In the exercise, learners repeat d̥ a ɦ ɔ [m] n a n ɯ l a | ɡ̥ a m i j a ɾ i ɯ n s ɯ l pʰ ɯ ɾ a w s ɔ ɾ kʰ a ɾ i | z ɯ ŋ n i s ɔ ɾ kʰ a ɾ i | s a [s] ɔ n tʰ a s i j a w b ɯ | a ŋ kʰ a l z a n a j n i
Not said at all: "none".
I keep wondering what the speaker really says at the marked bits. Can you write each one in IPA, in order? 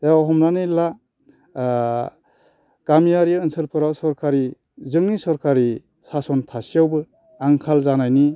m, s

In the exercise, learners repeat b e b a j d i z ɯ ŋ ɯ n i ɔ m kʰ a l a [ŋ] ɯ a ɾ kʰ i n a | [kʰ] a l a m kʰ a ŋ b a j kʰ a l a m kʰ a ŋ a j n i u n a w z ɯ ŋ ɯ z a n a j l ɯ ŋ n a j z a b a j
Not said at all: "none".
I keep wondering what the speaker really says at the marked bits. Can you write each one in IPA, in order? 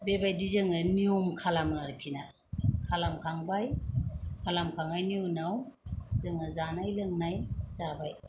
m, kʰ

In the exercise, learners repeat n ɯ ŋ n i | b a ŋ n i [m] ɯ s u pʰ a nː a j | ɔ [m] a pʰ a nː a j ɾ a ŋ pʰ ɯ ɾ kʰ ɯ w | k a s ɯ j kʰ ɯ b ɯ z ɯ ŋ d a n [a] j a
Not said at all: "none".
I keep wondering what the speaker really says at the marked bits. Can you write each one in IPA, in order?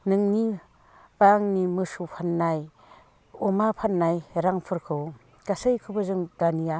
m, m, i

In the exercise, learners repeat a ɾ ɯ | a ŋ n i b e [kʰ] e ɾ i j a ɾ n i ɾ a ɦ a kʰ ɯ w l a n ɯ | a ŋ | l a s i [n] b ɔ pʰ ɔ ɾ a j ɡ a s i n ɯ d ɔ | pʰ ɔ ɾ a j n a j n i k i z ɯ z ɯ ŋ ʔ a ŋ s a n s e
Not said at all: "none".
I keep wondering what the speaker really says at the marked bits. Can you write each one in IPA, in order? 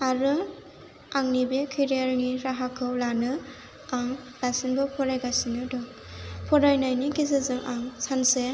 kʰ, n

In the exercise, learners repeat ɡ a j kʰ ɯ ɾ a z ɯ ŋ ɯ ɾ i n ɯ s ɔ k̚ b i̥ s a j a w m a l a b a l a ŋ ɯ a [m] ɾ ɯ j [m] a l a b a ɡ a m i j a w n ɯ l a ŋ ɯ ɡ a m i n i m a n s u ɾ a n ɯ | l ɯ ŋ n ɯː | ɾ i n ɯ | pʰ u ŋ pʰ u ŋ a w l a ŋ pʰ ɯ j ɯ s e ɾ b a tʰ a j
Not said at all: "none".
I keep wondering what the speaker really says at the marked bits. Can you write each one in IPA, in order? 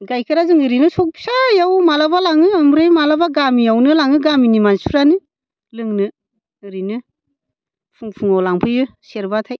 m, m

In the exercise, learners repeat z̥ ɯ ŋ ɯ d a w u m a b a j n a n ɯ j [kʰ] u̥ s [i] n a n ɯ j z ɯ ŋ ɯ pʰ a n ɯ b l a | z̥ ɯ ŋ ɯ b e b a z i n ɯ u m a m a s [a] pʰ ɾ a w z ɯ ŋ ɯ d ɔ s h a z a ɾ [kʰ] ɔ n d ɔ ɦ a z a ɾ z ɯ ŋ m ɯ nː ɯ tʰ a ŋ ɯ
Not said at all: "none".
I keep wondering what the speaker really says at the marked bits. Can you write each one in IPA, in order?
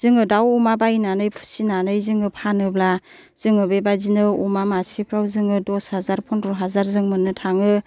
pʰ, i, i, pʰ

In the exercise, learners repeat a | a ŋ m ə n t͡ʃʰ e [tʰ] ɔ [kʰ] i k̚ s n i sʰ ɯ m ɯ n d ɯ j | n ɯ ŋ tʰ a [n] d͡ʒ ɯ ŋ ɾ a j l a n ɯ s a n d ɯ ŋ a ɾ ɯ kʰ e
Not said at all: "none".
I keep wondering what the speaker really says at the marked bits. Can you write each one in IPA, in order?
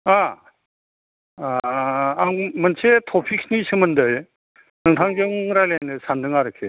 tʰ, pʰ, ŋ

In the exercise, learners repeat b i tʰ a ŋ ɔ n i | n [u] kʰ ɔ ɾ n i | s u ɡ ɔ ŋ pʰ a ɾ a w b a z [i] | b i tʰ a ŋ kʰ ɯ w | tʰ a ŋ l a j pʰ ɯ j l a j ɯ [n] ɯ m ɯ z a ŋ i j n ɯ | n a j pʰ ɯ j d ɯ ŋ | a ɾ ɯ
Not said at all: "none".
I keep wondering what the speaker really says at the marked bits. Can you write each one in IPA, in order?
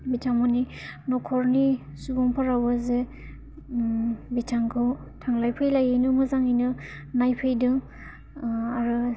ɔ, e, n

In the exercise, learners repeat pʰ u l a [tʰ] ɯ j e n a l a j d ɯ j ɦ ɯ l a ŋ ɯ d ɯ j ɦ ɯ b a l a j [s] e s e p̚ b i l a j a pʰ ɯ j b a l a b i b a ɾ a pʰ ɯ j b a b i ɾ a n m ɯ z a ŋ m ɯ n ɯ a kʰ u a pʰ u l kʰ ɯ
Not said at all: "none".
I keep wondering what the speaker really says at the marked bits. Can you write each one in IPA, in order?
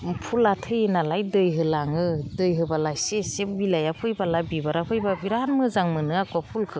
tʰ, s

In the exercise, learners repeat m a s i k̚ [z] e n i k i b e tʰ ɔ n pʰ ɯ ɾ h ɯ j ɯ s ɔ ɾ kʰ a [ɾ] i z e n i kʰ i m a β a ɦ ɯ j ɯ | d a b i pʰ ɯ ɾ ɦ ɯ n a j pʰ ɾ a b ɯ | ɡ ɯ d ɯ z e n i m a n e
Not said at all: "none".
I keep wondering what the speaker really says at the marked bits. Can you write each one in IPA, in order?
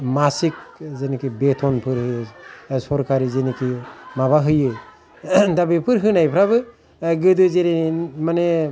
z, ɾ

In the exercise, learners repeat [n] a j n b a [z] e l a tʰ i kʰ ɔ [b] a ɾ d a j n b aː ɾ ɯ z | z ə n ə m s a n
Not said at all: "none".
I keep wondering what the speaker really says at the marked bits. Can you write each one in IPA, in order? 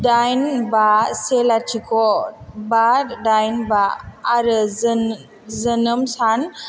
d, s, b

